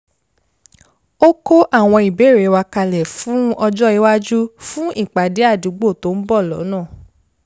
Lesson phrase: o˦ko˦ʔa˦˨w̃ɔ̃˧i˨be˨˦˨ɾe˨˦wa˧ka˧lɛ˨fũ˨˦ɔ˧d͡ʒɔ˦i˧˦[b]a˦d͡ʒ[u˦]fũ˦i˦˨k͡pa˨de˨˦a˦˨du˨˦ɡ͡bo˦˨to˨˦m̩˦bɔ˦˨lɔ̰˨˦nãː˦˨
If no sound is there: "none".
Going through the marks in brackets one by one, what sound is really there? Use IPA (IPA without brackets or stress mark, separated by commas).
w, u˦